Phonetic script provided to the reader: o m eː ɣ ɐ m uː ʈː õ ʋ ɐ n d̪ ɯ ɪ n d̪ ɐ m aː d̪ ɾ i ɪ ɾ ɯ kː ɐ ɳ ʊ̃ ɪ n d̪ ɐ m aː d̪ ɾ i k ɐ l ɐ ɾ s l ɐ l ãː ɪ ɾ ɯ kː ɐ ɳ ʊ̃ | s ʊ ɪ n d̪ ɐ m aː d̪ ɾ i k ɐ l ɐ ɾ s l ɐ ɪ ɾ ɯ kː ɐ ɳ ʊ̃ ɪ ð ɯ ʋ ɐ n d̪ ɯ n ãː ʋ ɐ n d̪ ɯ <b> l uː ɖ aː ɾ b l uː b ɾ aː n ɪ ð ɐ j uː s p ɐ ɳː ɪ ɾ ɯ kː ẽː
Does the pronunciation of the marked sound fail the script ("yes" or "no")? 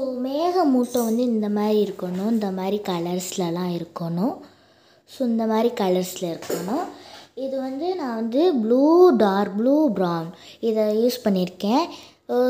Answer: no